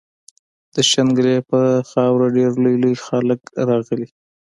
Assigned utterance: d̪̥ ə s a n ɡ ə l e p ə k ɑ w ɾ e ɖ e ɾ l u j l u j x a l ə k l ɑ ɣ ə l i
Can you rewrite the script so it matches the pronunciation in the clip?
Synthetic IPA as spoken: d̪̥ ə ʃ a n ɡ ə l e p ə x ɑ w ɾ a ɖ e ɾ l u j l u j x a l ə k ɾ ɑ ɣ ə l i

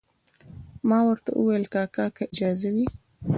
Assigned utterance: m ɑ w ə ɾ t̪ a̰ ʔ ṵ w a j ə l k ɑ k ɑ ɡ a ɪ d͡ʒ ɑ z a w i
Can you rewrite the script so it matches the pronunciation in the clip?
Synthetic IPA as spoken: m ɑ w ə ɾ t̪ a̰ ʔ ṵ w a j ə l k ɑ k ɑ k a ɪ d͡ʒ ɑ z a w i

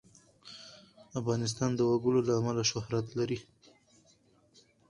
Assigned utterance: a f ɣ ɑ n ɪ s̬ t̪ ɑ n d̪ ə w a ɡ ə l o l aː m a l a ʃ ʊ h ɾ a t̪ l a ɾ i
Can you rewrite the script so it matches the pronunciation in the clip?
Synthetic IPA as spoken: a f ɣ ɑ n ɪ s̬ t̪ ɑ n d̪ ə w a ɡ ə l o l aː m a l a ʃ ʊ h ɾ a t̪ l a ɾ i

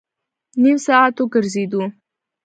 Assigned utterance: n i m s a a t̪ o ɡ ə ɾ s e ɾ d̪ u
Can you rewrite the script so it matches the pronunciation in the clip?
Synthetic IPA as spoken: n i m s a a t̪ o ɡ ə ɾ z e d̪ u

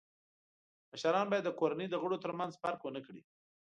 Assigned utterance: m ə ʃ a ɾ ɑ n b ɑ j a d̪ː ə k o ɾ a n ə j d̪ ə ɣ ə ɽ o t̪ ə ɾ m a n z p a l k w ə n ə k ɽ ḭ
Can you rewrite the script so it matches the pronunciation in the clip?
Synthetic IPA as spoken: m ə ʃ a ɾ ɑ n b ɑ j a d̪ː ə k o ɾ a n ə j d̪ ə ɣ ə ɽ o t̪ ə ɾ m a n z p a ɾ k w ə n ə k ɽ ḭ

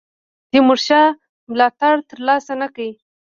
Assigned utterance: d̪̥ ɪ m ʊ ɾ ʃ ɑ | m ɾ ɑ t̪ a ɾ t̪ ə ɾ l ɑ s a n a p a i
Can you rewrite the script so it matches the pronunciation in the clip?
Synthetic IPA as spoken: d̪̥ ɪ m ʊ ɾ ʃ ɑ | m l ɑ t̪ a ɽ t̪ ə ɾ l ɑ s a n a k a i

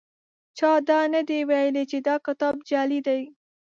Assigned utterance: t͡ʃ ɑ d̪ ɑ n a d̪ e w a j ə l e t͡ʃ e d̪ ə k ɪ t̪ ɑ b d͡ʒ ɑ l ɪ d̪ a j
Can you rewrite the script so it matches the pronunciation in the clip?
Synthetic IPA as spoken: t͡ʃ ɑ d̪ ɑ n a d̪ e w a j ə l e t͡ʃ e d̪ ɑ k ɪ t̪ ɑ b d͡ʒ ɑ l i d̪ a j

